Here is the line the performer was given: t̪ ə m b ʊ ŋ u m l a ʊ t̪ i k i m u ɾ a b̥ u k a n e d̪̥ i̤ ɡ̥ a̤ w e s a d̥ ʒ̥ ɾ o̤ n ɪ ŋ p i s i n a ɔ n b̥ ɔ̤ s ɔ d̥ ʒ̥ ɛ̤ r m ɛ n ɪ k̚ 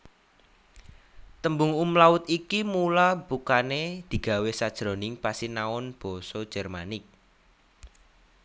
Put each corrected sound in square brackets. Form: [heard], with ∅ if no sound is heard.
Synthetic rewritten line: t̪ ə m b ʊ ŋ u m l a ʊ t̪ i k i m u [l] a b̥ u k a n e d̪̥ i̤ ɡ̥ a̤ w e s a d̥ ʒ̥ ɾ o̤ n ɪ ŋ p [a] s i n a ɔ n b̥ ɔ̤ s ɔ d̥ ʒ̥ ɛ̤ r m [a] n ɪ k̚